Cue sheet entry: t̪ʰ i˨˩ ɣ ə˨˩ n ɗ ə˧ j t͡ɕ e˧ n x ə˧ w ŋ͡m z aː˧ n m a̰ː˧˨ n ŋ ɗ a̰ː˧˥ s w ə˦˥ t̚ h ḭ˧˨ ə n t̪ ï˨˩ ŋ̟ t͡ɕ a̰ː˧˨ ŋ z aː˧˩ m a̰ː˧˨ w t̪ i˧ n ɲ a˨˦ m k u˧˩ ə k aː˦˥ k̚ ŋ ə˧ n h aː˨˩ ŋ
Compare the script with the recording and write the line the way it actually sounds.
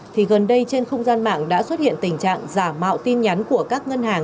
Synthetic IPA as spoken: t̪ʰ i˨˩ ɣ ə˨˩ n ɗ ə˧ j t͡ɕ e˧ n x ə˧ w ŋ͡m z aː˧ n m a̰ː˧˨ ŋ ɗ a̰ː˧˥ s w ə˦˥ t̚ h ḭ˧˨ ə n t̪ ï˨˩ ŋ̟ t͡ɕ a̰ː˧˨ ŋ z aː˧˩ m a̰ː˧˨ w t̪ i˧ n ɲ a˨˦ n k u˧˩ ə k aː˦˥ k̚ ŋ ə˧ n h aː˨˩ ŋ